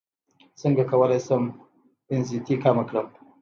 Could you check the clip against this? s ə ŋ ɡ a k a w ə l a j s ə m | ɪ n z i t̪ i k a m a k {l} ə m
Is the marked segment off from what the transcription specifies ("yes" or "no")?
yes